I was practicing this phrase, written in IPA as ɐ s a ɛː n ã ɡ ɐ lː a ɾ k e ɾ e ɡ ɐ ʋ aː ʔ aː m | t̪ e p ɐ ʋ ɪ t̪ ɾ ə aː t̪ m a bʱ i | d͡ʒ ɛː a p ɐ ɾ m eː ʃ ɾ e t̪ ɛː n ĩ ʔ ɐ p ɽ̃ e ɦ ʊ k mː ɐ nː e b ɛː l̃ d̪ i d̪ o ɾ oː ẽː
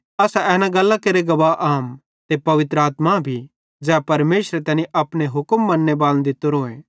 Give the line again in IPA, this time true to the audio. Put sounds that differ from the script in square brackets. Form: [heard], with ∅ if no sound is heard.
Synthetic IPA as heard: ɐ s a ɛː n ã ɡ ɐ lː a [∅] k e ɾ e ɡ ɐ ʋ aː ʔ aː m | t̪ e p ɐ ʋ ɪ t̪ ɾ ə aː t̪ m a bʱ i | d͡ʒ ɛː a p ɐ ɾ m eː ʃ ɾ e t̪ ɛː n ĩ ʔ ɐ p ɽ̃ e ɦ ʊ k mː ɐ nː e b [aː] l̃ d̪ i [t̪] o ɾ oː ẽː